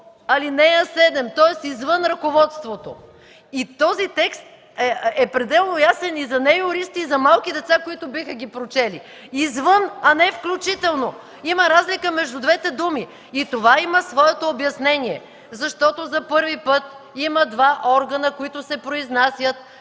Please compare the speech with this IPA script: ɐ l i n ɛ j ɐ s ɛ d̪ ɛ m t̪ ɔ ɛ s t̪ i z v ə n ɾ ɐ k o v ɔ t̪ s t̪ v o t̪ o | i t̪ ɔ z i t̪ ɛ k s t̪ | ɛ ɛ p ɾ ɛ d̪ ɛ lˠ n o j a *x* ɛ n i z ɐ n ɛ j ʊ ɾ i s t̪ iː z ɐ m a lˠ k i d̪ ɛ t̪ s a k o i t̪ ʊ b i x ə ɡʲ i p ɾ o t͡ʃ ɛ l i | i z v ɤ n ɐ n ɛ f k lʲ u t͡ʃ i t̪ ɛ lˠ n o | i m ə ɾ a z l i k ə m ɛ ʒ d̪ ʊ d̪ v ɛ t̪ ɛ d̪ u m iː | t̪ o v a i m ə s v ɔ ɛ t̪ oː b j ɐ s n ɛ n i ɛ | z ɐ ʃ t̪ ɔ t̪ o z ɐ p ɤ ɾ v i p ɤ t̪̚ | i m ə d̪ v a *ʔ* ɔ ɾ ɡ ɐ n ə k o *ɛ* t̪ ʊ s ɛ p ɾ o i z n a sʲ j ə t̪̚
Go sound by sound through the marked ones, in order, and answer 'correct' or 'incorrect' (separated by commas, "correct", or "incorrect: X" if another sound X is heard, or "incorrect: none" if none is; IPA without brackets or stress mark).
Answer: incorrect: s, correct, incorrect: i